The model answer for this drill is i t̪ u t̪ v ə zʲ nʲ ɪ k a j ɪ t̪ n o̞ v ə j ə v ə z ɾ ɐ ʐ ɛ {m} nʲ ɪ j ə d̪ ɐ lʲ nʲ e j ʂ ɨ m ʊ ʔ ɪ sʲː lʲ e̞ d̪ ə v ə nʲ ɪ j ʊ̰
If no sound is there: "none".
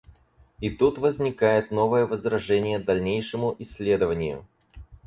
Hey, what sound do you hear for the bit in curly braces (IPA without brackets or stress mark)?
none